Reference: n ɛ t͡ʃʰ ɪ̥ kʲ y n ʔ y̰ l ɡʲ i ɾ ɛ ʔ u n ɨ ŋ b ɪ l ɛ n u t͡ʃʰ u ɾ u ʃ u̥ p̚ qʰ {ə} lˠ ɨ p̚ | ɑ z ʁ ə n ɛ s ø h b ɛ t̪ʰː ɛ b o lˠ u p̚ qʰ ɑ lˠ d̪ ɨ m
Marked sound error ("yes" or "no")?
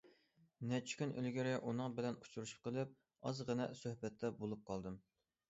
no